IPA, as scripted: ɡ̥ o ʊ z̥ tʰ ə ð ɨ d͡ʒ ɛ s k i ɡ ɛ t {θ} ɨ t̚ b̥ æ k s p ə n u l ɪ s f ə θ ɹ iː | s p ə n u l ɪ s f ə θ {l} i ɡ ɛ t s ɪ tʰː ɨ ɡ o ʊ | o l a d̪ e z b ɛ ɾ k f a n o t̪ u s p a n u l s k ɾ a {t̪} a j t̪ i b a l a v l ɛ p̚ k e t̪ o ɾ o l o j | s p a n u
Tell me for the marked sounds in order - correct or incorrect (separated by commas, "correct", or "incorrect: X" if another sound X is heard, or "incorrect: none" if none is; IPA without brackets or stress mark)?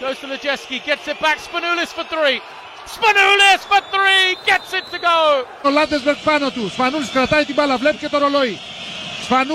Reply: incorrect: s, incorrect: ɹ, correct